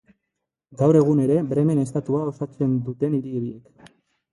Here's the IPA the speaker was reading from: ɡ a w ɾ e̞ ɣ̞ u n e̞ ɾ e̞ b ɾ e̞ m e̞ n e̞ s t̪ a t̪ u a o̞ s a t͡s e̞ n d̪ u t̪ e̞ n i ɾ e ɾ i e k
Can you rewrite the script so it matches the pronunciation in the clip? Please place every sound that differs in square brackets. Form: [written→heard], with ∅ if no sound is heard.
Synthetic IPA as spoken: ɡ a w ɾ e̞ ɣ̞ u n e̞ ɾ e̞ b ɾ e̞ m e̞ n e̞ s t̪ a t̪ u a o̞ s a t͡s e̞ n d̪ u t̪ e̞ n i ɾ [e→i] ɾ i e k